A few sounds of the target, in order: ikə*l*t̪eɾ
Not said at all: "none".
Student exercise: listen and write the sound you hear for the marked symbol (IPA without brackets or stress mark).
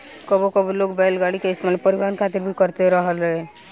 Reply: ɾ